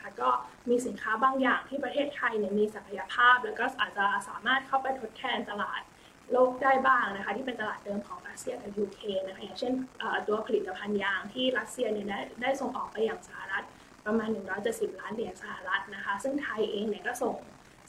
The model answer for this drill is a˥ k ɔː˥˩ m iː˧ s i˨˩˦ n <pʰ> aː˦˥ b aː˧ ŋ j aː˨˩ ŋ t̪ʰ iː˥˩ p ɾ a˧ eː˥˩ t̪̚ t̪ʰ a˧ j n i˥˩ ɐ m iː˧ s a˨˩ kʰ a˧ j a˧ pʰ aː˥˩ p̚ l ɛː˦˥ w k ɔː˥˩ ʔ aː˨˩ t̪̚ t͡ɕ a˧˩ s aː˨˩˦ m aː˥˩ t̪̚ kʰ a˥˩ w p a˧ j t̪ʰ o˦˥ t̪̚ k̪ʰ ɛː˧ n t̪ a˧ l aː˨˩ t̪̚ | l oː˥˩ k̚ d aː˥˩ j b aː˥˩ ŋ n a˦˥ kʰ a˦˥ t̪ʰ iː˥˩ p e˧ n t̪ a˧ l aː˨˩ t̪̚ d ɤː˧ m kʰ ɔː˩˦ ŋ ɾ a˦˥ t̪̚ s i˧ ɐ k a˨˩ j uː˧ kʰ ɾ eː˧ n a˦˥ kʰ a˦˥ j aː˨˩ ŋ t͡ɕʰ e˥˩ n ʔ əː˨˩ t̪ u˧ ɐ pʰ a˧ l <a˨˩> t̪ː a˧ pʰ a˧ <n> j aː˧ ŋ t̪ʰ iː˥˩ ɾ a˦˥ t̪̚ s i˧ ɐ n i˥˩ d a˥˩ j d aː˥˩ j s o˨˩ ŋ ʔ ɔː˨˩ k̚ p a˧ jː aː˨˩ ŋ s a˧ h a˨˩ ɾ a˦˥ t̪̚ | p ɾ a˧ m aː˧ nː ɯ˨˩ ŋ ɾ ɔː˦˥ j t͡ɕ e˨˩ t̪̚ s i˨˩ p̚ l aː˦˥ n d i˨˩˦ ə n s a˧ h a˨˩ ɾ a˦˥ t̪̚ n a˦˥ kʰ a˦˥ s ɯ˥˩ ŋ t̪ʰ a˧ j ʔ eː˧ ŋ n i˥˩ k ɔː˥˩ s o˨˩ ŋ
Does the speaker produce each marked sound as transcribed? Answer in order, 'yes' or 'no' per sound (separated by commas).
no, no, yes